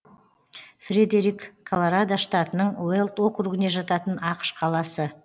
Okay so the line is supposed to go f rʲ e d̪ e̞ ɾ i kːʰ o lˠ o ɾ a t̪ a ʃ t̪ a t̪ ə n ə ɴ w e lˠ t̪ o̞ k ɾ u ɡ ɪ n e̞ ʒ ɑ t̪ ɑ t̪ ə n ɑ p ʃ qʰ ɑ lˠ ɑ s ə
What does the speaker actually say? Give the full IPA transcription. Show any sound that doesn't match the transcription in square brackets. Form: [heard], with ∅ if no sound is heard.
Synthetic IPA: f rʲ e d̪ e̞ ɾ i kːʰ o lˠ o ɾ a [d̪] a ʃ t̪ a t̪ ə n ə ɴ w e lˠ t̪ o̞ k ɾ u ɡ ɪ n e̞ ʒ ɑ t̪ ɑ t̪ ə n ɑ [q] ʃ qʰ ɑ lˠ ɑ s ə